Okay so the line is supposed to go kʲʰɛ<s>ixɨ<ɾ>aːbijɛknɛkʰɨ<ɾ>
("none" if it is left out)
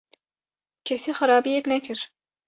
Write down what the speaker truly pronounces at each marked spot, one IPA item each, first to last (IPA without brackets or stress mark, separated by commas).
s, ɾ, ɾ